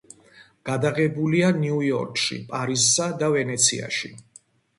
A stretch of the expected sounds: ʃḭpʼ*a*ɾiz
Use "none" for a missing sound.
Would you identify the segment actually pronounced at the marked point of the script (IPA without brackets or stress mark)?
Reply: a